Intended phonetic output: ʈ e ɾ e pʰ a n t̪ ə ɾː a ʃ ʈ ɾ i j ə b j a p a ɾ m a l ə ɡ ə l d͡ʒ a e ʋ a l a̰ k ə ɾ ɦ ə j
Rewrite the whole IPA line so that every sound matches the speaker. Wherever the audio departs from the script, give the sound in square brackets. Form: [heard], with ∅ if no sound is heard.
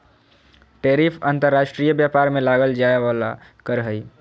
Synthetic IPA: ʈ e ɾ [i] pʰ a n t̪ ə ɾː a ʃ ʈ ɾ i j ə b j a p a ɾ m [e] l [a] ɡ ə l d͡ʒ a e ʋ a l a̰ k ə ɾ ɦ ə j